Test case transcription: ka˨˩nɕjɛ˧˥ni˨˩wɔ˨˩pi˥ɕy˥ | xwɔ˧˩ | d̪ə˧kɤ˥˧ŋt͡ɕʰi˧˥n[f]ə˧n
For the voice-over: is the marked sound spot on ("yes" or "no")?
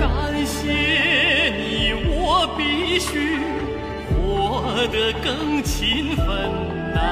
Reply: yes